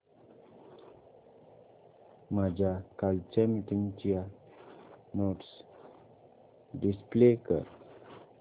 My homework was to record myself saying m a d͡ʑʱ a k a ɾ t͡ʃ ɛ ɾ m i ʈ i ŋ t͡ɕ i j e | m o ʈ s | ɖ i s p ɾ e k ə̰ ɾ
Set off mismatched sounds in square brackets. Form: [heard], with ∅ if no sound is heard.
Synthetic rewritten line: m a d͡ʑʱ a k a [l] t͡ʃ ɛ [∅] m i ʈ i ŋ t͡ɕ i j [a] | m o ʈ s | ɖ i s p [l] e k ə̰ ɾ